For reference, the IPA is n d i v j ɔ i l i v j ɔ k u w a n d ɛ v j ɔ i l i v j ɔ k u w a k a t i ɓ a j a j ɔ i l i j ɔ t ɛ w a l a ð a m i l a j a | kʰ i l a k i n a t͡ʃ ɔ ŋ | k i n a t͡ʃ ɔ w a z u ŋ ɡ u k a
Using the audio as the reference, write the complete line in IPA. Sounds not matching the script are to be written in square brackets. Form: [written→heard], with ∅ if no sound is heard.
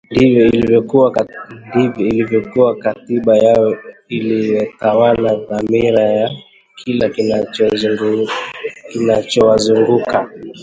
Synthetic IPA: n d i v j ɔ i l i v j ɔ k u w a n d [ɛ→i] v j ɔ i l i v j ɔ k u w a k a t i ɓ a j a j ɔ i l i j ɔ t [ɛ→a] w a l a ð a m i [l→ɾ] a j a | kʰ i l a k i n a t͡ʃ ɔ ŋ | k i n a t͡ʃ ɔ w a z u ŋ ɡ u k a